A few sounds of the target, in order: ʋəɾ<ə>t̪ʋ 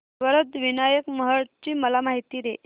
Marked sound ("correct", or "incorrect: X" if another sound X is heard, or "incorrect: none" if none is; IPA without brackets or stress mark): correct